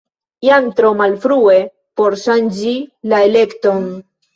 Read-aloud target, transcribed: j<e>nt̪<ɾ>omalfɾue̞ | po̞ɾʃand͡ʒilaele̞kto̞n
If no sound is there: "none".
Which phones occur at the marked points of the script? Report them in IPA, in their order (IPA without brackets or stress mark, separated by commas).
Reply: a, ɾ